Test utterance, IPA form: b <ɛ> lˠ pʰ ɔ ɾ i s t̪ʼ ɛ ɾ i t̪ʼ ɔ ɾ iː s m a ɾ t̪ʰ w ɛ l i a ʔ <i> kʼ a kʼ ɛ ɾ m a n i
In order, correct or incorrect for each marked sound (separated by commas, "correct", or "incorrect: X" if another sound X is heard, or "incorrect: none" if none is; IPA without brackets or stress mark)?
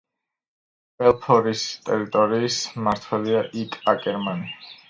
correct, correct